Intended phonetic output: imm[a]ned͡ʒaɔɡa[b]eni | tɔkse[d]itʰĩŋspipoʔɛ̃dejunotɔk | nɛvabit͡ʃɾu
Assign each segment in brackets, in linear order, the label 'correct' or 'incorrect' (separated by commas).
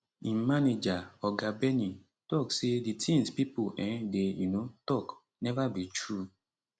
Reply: correct, correct, correct